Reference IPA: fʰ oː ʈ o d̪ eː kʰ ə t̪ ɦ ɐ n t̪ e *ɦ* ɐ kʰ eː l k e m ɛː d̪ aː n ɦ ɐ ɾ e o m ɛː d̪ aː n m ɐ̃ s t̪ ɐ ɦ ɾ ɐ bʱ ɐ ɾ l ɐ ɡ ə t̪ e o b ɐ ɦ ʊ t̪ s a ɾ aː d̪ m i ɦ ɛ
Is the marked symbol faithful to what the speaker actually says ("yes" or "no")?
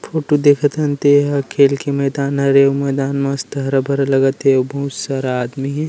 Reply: yes